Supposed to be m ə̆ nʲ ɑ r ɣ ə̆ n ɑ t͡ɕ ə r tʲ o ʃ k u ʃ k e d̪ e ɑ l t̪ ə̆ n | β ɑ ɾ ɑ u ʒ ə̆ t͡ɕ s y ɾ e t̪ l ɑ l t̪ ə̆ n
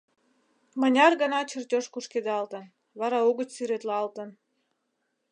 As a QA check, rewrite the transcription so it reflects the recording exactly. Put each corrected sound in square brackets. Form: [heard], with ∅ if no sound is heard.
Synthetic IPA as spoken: m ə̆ nʲ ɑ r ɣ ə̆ n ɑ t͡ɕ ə r tʲ o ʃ k u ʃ k e d̪ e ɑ l t̪ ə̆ n | β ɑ ɾ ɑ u [ɣ] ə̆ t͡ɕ s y ɾ e t̪ l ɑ l t̪ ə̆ n